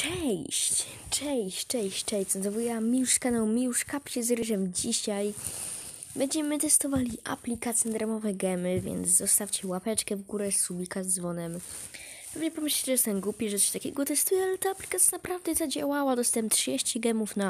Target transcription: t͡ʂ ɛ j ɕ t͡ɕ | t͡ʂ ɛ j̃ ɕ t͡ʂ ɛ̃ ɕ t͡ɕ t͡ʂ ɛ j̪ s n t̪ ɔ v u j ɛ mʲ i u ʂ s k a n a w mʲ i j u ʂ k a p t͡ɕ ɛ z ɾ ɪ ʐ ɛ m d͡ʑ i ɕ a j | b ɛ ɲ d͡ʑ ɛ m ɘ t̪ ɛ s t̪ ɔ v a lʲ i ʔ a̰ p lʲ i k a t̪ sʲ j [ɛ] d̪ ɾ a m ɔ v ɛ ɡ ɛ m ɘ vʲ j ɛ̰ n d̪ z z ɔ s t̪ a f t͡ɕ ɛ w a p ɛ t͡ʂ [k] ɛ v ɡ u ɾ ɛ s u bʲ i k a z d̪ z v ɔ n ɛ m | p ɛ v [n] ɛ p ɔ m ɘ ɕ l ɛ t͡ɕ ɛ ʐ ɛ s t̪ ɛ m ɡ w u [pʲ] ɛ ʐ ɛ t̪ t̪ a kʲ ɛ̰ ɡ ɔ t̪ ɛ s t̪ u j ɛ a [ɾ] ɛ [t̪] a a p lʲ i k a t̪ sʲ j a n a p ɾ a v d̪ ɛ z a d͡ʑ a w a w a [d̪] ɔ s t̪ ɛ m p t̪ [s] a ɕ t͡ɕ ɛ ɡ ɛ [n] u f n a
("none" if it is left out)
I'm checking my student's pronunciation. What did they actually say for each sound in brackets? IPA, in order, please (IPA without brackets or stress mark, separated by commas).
ɛ, k, ɲ, pʲ, l, t̪, d̪, ʂ, m